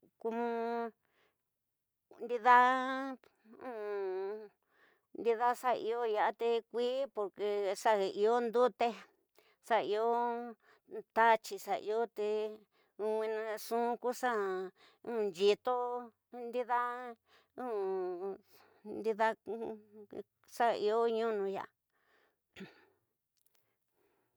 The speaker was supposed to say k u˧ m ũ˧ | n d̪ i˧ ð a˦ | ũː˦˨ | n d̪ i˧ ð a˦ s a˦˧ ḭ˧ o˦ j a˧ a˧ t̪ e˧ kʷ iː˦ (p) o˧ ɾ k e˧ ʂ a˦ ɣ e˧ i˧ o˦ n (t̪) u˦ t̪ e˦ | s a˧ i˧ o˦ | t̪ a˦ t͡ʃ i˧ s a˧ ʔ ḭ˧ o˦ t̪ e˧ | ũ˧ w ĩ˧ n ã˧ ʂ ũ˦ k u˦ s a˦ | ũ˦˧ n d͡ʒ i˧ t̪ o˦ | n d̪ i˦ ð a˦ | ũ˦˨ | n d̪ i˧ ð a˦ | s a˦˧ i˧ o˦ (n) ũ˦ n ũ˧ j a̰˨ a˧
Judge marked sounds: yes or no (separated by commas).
yes, no, no